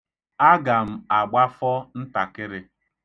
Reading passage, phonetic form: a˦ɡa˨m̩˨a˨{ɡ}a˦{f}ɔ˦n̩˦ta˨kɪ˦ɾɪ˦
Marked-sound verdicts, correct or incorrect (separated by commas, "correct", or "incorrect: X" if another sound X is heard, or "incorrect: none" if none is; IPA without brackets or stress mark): incorrect: ɡ͡b, correct